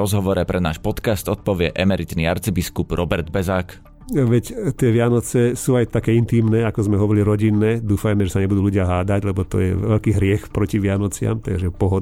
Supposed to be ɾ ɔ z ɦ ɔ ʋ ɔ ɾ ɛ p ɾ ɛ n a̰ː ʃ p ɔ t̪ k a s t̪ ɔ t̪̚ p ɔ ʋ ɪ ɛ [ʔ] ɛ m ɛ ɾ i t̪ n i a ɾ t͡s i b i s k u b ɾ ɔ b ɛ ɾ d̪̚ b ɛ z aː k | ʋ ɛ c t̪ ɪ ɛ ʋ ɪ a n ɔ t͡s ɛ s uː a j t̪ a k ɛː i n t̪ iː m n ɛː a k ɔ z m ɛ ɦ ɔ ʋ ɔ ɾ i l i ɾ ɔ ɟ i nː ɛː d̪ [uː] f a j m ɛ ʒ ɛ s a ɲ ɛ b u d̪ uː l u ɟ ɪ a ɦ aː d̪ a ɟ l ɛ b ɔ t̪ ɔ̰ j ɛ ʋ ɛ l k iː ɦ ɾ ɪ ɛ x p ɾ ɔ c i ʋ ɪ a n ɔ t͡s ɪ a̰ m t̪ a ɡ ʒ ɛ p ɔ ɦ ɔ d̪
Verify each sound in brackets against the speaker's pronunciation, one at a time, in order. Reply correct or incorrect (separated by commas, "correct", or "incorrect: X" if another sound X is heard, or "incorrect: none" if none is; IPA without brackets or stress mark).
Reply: correct, correct